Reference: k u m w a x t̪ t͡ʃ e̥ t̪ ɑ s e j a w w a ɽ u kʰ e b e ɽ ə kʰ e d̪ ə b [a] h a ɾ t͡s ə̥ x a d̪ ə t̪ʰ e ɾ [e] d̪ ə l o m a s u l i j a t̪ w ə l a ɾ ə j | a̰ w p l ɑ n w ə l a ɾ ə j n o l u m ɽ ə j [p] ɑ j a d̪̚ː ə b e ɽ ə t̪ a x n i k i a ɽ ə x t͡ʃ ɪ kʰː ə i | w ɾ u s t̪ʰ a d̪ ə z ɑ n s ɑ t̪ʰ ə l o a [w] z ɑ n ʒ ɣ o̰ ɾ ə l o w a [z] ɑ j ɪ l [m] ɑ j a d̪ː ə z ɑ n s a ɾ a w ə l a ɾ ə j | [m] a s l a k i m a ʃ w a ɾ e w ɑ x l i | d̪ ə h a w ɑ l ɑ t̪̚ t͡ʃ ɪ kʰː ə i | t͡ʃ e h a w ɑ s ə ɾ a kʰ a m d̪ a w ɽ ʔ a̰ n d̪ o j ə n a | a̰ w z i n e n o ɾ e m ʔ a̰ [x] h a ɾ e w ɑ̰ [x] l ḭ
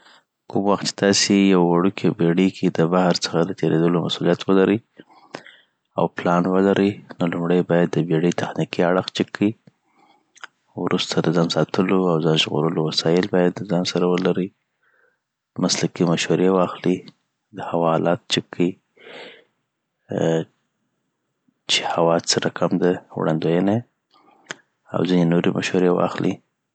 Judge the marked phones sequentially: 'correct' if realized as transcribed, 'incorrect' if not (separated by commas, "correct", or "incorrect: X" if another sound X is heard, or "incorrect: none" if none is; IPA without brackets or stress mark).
correct, correct, incorrect: b, correct, incorrect: s, incorrect: b, correct, incorrect: ʃ, correct